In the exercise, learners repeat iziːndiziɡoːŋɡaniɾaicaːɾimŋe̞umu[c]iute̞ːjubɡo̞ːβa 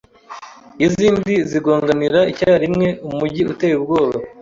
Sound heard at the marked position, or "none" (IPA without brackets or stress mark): ɟ